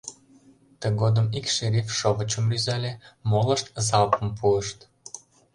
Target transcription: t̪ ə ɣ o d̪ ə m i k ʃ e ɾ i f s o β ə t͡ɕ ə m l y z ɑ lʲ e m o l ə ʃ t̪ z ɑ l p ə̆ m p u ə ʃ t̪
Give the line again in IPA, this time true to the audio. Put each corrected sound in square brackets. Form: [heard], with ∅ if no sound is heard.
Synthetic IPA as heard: t̪ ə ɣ o d̪ ə m i k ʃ e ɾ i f [ʃ] o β ə t͡ɕ ə m l y z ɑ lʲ e m o l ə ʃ t̪ z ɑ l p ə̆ m p u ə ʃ t̪

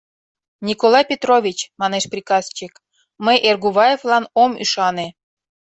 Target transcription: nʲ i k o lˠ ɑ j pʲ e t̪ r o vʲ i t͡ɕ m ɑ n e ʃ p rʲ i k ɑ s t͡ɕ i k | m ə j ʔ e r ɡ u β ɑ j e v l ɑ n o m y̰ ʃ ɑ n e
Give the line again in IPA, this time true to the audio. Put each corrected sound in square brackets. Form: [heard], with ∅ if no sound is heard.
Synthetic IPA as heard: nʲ i k o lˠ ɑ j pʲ e t̪ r o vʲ i t͡ɕ m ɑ n e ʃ p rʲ i k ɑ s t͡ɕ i k | m ə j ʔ e r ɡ u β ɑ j e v l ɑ n o m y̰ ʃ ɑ n e

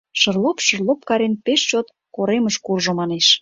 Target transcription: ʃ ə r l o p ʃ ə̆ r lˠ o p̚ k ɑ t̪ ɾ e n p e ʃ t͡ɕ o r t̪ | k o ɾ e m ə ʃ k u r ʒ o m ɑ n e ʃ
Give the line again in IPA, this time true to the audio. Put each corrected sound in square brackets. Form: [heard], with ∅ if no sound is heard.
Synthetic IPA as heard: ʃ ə r l o p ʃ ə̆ r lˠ o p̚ k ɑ [∅] ɾ e n p e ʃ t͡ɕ o [∅] t̪ | k o ɾ e m ə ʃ k u r ʒ o m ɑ n e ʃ

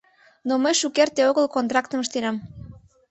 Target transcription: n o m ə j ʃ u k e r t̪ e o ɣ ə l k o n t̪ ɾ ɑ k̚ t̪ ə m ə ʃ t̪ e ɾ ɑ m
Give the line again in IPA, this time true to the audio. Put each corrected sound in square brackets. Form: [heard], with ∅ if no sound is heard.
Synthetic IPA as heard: n o m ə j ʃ u k e r t̪ e o ɣ ə l k o n t̪ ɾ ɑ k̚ t̪ ə m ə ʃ t̪ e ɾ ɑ m

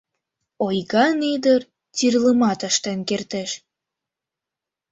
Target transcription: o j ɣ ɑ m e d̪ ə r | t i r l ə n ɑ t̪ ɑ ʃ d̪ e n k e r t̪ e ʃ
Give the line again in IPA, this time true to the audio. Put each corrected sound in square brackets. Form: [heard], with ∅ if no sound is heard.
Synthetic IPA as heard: o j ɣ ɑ [n] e d̪ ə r | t i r l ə [m] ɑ t̪ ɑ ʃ [t̪] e n k e r t̪ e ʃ

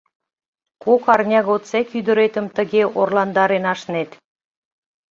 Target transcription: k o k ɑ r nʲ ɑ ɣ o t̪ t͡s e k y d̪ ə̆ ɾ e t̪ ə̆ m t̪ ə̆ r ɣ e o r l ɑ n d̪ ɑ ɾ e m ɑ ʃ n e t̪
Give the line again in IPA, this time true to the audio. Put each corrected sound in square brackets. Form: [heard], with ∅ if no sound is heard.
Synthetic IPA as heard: k o k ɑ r nʲ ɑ ɣ o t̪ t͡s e k y d̪ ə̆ ɾ e t̪ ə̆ m t̪ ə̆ [∅] ɣ e o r l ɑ n d̪ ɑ ɾ e [n] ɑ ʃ n e t̪

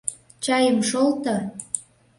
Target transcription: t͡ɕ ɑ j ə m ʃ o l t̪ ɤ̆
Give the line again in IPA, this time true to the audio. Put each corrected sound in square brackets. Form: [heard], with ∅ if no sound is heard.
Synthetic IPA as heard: t͡ɕ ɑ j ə m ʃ o l t̪ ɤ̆

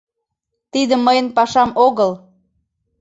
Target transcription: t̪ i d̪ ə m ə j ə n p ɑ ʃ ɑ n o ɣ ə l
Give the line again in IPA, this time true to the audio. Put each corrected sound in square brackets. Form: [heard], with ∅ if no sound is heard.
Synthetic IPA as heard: t̪ i d̪ ə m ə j ə n p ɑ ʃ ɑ [m] o ɣ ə l

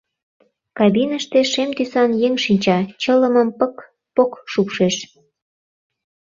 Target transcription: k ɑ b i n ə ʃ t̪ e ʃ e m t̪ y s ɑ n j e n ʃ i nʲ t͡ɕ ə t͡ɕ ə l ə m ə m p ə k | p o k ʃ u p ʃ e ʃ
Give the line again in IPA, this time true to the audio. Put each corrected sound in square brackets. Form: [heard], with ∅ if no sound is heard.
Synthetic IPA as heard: k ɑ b i n ə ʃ t̪ e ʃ e m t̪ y s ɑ n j e [ŋ] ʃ i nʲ t͡ɕ [ɑ] t͡ɕ ə l ə m ə m p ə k | p o k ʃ u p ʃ e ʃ

